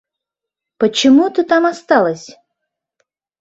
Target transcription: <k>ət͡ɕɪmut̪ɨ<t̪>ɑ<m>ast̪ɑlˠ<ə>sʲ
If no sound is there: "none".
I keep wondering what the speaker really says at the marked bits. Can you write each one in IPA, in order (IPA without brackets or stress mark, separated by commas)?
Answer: p, t̪, m, ə